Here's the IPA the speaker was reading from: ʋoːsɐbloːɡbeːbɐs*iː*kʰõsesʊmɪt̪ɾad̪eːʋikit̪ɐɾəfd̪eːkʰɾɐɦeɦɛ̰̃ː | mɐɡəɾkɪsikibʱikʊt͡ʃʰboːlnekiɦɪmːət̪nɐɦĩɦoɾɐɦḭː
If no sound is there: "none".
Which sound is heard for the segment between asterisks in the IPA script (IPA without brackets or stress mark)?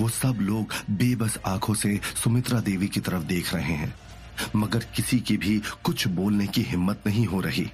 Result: aː